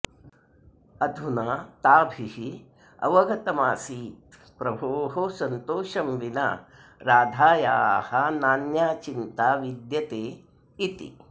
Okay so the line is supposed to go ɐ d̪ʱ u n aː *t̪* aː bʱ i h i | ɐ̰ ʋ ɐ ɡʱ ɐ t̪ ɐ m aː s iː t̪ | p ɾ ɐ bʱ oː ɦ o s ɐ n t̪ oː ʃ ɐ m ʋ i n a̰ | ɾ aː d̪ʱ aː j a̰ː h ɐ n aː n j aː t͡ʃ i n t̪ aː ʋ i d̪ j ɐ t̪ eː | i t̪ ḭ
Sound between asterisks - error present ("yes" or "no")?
no